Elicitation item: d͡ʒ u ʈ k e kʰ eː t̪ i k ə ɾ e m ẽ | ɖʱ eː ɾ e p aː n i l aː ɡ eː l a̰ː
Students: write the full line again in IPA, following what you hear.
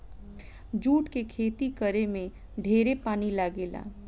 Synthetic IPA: d͡ʒ uː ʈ k e kʰ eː t̪ i k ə ɾ e m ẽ | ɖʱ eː ɾ e p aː n i l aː ɡ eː l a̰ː